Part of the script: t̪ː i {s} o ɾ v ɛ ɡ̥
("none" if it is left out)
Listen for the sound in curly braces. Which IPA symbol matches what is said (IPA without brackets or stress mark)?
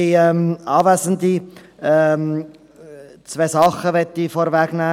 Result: f